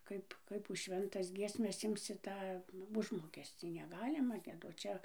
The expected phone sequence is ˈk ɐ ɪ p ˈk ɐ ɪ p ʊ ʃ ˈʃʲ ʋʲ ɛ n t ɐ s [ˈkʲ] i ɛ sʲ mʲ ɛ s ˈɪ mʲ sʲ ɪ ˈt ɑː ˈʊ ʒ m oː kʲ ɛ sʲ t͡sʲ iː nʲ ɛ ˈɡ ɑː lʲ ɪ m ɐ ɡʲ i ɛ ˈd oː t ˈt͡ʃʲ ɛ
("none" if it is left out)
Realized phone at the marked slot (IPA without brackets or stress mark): ɡʲ